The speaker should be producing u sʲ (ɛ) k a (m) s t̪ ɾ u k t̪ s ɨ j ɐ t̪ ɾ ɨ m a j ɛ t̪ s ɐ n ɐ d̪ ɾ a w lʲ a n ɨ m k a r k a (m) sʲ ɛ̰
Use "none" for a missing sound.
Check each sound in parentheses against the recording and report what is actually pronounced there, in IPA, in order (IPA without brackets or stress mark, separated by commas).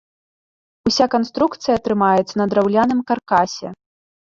a, n, none